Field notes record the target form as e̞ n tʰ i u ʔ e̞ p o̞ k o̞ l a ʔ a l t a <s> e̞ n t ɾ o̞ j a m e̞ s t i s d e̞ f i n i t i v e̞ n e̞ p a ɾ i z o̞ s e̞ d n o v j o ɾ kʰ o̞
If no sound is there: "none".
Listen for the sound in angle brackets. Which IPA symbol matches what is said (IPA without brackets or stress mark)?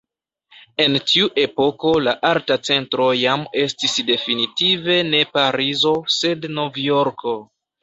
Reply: t͡s